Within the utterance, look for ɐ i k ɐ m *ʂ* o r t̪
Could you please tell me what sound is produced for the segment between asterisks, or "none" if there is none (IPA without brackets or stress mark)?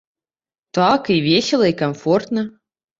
f